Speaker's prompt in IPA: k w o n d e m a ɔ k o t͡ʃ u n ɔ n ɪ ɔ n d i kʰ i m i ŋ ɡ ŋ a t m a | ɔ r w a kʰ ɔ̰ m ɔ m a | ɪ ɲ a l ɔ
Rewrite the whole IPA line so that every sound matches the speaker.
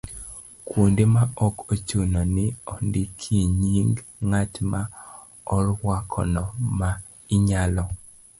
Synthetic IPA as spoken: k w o n d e m a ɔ k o t͡ʃ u n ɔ n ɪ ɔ n d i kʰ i ɲ i ŋ ɡ ŋ a t m a | ɔ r w a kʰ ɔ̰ n ɔ m a | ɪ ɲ a l ɔ